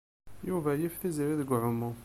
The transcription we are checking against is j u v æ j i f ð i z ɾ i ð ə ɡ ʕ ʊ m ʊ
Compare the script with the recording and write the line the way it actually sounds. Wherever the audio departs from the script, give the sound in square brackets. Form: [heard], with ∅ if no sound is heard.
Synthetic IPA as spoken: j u v æ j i f [θ] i z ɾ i ð ə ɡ ʕ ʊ m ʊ